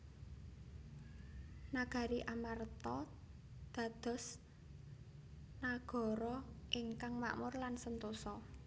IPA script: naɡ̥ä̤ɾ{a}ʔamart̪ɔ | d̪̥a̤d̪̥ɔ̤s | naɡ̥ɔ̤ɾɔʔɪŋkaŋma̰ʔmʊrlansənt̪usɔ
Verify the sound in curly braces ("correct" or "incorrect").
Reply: incorrect